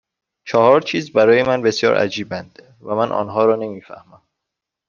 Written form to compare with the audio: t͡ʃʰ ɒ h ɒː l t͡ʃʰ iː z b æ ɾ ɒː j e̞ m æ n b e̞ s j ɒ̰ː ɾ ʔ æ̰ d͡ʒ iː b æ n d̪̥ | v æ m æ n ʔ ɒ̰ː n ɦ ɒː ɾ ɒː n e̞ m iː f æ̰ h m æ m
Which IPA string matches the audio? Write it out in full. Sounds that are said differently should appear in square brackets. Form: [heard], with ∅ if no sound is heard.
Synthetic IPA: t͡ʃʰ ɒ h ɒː [ɾ] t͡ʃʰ iː z b æ ɾ ɒː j e̞ m æ n b e̞ s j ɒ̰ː ɾ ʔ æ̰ d͡ʒ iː b æ n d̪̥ | v æ m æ n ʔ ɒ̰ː n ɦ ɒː ɾ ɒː n e̞ m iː f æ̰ h m æ m